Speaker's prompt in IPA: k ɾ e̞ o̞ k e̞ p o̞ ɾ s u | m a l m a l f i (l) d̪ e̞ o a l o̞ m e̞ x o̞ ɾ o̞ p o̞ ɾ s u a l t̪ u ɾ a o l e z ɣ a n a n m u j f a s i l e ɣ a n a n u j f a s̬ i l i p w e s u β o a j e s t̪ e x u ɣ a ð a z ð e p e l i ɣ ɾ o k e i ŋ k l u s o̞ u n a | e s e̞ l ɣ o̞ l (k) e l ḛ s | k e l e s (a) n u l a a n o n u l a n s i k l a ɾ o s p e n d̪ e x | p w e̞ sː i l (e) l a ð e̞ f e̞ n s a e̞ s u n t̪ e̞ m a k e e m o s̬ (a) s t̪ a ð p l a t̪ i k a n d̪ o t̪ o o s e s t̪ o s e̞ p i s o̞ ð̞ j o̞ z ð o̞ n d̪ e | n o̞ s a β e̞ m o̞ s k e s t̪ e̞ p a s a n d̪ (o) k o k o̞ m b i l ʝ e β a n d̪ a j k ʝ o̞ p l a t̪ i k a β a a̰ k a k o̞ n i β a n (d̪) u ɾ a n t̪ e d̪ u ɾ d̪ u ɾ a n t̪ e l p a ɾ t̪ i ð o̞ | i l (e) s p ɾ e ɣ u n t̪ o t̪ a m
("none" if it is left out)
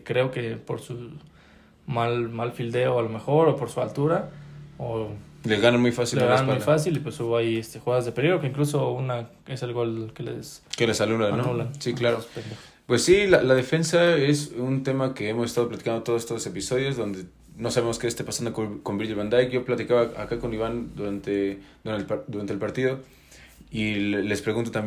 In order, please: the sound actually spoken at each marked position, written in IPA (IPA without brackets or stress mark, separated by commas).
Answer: l, k, a, a, e, o, d̪, e